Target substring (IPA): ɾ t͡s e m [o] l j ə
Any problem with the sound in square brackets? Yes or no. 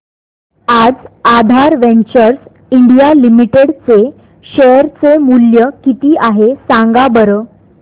yes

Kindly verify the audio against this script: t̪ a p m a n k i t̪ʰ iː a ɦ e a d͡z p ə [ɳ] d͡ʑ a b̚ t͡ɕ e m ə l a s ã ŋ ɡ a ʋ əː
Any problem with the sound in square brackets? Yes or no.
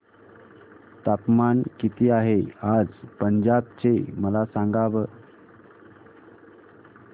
yes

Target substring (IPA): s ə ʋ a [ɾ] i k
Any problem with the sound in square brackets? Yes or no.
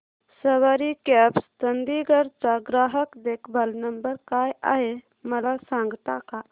no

